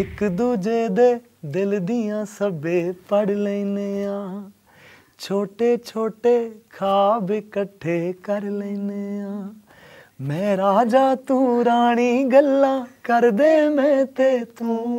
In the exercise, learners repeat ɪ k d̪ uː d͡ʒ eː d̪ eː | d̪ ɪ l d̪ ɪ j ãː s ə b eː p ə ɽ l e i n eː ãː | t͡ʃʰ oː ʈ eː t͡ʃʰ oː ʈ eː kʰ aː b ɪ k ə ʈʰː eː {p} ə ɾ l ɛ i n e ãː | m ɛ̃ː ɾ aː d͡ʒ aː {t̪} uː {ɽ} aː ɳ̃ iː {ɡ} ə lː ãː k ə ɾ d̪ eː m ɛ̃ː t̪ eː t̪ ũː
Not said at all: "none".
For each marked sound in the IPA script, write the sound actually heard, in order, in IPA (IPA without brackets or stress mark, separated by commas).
k, t̪, ɾ, ɡ